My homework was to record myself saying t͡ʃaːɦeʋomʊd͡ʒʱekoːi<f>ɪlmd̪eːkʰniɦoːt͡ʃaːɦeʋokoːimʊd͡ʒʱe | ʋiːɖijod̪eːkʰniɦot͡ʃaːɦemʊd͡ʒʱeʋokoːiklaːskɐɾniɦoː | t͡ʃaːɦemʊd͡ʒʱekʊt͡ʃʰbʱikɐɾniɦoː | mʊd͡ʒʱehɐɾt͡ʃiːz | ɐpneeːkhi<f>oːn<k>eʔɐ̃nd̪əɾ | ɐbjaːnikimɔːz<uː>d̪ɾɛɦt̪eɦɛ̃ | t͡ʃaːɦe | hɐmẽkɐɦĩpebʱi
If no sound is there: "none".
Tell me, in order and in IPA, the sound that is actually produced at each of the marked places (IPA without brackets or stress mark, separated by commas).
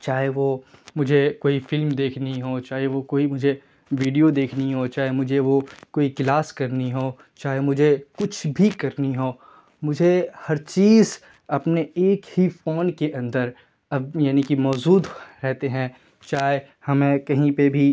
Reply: f, f, k, uː